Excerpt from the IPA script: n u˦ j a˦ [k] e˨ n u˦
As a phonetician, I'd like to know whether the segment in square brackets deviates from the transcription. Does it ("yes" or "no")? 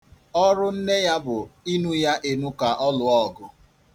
yes